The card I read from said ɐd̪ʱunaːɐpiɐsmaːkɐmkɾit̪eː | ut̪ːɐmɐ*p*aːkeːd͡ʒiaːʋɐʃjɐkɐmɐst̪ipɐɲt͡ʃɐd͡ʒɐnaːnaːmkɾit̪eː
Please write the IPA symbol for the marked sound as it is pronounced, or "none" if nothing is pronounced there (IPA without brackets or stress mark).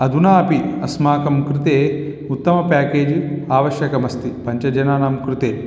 p